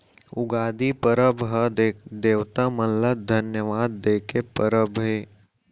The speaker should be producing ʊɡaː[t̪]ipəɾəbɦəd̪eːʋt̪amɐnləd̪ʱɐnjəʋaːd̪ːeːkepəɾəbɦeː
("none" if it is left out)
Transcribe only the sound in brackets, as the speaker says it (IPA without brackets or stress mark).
d̪